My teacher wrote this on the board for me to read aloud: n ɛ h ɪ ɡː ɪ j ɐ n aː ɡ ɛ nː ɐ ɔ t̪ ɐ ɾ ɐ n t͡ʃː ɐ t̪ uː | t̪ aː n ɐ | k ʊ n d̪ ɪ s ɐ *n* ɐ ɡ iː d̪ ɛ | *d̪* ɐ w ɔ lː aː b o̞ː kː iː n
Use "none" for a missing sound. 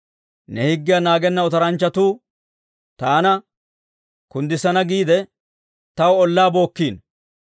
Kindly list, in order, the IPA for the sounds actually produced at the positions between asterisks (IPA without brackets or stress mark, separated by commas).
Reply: n, t̪